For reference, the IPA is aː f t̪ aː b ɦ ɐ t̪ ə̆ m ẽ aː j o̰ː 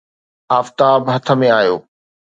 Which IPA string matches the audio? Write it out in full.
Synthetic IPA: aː f t̪ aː b ɦ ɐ t̪ʰ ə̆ m ẽ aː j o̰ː

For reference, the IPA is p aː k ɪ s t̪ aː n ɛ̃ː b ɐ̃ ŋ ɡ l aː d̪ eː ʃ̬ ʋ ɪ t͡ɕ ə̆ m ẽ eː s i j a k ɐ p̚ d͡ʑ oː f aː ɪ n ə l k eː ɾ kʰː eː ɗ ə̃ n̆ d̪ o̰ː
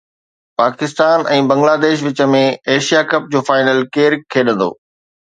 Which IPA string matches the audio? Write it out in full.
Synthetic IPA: p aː k ɪ s t̪ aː n ɛ̃ː b ɐ̃ ŋ ɡ l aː d̪ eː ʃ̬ ʋ ɪ t͡ɕ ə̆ m ẽ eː ʃ i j a k ɐ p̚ d͡ʑ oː f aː ɪ n ə l k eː ɾ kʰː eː ɗ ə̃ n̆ d̪ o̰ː

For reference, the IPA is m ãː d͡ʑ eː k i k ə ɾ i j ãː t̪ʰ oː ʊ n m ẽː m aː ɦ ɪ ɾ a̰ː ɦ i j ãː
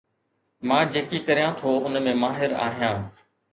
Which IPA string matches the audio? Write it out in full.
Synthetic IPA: m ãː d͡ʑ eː k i k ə ɾ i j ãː t̪ʰ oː ʊ n m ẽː m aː ɦ ɪ ɾ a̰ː ɦ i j ãː

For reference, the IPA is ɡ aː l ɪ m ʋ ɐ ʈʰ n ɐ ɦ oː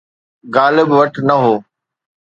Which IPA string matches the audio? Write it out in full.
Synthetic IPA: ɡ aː l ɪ b ʋ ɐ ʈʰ n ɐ ɦ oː

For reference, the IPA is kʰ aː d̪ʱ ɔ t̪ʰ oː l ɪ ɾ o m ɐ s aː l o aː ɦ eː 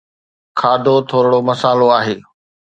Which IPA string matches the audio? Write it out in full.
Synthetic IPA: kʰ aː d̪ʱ o t̪ʰ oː ɾ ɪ ɽ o m ɐ s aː l o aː ɦ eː

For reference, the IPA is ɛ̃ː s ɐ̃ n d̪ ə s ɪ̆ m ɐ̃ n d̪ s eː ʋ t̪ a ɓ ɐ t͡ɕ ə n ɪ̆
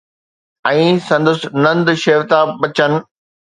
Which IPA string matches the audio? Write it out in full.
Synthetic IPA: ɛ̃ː s ɐ̃ n d̪ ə s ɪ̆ n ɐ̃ n d̪ ʃ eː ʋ t̪ a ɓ ɐ t͡ɕ ə n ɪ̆

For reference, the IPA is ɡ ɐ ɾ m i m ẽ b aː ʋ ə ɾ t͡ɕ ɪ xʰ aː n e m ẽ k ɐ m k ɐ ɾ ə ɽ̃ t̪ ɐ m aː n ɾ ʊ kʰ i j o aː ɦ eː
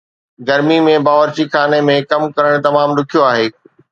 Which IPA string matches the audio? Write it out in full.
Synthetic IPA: ɡ ɐ ɾ m i m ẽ b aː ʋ ə ɾ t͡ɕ i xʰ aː n e m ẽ k ɐ m k ɐ ɾ ə ɽ̃ t̪ ɐ m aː m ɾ ʊ kʰ i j o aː ɦ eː

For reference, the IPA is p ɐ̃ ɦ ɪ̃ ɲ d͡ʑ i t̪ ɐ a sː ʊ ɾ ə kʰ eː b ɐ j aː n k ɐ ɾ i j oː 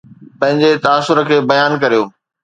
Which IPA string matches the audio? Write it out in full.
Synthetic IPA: p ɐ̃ ɦ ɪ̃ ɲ d͡ʑ e t̪ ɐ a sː ʊ ɾ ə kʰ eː b ɐ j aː n k ɐ ɾ i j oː

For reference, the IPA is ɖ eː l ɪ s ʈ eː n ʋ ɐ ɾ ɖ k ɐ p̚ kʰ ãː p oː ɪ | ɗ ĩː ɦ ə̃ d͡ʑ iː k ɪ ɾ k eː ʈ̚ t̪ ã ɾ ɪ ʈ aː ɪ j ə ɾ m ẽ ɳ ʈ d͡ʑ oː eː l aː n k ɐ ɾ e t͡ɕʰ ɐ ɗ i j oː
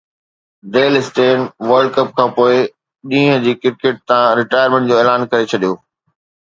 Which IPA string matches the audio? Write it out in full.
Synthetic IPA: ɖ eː l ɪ s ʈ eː n ʋ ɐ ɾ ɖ k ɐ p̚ kʰ ãː p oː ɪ | ɗ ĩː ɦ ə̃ d͡ʑ iː k ɪ ɾ k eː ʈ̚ t̪ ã ɾ ɪ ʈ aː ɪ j ə ɾ m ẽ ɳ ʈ d͡ʑ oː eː l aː n k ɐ ɾ e t͡ɕʰ ɐ ɗ i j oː

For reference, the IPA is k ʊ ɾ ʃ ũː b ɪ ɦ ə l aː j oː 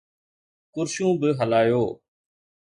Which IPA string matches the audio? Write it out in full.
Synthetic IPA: k ʊ ɾ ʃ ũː b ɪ ɦ ə l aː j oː

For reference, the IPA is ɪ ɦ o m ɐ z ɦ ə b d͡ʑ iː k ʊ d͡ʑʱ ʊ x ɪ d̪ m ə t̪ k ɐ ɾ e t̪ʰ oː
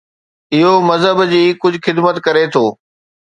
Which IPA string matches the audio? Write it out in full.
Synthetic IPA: ɪ ɦ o m ɐ z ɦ ə b d͡ʑ iː k ʊ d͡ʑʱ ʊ x ɪ d̪ m ə t̪ k ɐ ɾ e t̪ʰ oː

